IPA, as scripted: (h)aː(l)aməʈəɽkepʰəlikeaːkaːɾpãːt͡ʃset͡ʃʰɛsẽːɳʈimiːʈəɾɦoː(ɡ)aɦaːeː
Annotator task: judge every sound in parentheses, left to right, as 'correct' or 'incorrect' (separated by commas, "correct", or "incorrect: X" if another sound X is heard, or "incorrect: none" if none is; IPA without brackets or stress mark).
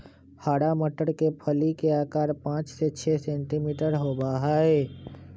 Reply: correct, incorrect: ɽ, incorrect: b